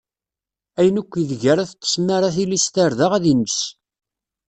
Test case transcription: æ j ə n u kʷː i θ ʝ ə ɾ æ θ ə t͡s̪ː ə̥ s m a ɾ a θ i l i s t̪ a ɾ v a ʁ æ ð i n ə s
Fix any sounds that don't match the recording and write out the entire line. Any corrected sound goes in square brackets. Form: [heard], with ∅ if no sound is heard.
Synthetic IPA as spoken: æ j ə n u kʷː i [ð] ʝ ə ɾ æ θ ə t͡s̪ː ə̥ s m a ɾ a θ i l i s t̪ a ɾ [ð] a ʁ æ ð i n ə s